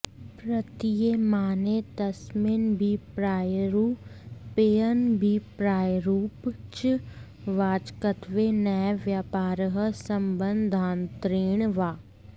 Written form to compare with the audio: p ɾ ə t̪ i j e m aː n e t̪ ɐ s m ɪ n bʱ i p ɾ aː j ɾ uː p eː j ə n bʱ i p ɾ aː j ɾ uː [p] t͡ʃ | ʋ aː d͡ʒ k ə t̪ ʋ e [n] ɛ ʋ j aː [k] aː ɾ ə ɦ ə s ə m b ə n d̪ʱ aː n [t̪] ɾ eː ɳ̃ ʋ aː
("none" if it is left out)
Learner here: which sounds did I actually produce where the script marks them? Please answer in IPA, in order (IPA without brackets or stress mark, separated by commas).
p, n, p, t̪